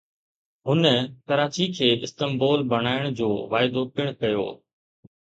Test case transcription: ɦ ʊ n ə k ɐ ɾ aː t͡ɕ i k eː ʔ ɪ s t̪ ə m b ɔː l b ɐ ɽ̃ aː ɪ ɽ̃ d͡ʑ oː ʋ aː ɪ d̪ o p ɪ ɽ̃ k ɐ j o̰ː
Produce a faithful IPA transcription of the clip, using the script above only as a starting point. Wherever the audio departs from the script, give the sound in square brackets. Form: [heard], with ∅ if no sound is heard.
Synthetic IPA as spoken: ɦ ʊ n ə k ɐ ɾ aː t͡ɕ i [kʰ] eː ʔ ɪ s t̪ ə m b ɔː l b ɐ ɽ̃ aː ɪ ɽ̃ d͡ʑ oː ʋ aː ɪ d̪ o p ɪ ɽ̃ k ɐ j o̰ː